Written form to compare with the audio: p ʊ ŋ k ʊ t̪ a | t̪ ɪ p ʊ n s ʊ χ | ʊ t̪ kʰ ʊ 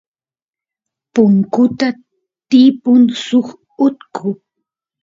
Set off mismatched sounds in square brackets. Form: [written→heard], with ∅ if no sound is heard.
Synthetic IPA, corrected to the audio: p ʊ ŋ k ʊ t̪ a | t̪ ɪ p ʊ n s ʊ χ | ʊ t̪ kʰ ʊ